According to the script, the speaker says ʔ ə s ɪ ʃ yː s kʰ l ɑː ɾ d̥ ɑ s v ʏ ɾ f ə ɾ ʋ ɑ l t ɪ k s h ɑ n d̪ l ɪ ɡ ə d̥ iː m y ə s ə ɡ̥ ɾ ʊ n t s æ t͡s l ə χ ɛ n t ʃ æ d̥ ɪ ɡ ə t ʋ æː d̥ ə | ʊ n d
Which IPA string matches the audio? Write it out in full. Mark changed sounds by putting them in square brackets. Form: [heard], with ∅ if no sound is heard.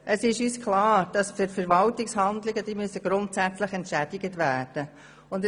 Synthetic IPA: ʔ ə s ɪ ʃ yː s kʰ l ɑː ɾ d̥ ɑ s [f] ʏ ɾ f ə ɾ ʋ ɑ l t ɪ k s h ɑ n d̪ l ɪ ɡ ə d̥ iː m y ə s ə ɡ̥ ɾ ʊ n t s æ t͡s l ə χ ɛ n t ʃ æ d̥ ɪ ɡ ə t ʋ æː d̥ ə | ʊ n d